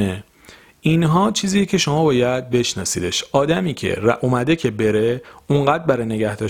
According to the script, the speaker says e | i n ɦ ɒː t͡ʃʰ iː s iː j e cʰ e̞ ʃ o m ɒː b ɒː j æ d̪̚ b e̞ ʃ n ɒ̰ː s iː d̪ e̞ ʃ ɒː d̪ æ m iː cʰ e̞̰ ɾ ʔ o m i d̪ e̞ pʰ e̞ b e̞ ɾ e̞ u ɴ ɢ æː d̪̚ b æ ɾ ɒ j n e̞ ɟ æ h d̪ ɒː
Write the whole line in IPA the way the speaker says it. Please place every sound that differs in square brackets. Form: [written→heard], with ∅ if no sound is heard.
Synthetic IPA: e | i n ɦ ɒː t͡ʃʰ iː [s→z] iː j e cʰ e̞ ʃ o m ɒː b ɒː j æ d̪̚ b e̞ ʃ n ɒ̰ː s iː d̪ e̞ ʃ ɒː d̪ æ m iː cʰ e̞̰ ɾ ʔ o m [i→æ] d̪ e̞ [pʰ→cʰ] e̞ b e̞ ɾ e̞ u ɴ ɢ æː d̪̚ b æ ɾ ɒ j n e̞ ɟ æ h d̪ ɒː